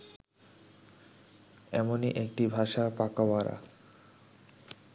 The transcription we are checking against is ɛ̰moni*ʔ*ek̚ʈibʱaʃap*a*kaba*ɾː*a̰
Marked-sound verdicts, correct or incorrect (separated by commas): correct, correct, incorrect